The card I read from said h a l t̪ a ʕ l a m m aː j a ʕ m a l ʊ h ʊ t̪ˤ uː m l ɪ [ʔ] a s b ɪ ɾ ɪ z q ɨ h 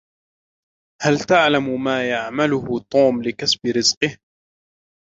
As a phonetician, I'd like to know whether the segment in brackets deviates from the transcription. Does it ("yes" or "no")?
yes